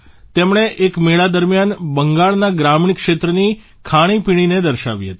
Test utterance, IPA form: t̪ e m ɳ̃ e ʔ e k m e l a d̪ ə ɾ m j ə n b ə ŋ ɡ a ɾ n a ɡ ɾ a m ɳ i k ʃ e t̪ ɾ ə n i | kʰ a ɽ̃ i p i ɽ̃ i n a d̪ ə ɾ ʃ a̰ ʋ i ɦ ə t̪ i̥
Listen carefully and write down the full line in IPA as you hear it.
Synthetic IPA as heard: t̪ e m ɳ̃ e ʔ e k m e ɭ a d̪ ə ɾ m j a n b ə ŋ ɡ a ɭ n a ɡ ɾ a m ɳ i k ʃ e t̪ ɾ ə n i | kʰ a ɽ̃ i p i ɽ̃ i n e d̪ ə ɾ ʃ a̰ ʋ i ɦ ə t̪ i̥